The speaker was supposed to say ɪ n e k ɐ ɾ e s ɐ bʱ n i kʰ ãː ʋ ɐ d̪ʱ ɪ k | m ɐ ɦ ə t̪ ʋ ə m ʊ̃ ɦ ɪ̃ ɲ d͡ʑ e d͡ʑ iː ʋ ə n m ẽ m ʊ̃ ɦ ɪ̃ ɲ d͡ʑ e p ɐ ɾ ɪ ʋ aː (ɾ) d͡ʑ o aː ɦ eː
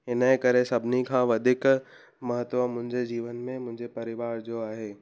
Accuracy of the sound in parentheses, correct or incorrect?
correct